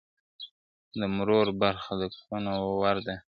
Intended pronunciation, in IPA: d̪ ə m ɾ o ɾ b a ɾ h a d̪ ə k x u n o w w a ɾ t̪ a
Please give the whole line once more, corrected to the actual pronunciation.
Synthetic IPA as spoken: d̪ ə m ɾ o ɾ b a ɾ x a d̪ ə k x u n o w w a ɾ d̪ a